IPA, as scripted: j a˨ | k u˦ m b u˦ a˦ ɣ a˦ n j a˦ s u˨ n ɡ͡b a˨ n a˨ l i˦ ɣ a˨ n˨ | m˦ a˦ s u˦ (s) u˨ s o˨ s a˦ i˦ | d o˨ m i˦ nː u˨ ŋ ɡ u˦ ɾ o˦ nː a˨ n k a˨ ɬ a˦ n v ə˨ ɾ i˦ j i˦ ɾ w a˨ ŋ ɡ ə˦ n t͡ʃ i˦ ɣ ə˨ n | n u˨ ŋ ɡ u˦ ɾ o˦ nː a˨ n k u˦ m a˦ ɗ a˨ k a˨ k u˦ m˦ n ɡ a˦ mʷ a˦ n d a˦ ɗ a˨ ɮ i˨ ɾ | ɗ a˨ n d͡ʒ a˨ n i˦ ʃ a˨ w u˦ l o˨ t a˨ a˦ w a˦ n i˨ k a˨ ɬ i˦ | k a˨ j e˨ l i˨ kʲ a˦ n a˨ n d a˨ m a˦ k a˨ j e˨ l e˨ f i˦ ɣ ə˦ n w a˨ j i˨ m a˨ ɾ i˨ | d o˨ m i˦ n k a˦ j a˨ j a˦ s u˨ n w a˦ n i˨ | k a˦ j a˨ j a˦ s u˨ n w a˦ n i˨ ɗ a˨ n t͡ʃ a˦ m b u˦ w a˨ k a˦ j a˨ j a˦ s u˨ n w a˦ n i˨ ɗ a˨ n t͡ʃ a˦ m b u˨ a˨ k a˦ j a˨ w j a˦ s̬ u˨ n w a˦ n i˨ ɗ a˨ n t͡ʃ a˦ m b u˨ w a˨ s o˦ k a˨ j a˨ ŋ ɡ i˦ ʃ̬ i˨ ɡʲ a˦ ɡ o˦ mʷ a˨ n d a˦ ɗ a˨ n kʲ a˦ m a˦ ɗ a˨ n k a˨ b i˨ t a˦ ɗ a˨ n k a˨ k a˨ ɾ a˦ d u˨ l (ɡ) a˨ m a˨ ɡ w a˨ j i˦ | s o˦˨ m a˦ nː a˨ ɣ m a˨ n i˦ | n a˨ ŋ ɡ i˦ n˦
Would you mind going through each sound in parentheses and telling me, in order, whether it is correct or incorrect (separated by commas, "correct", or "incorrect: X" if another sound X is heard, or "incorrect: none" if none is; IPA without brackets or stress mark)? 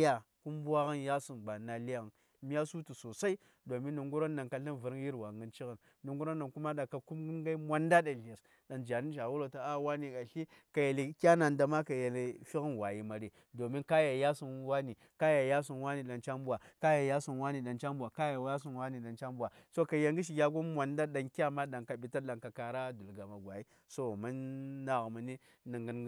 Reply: incorrect: t, correct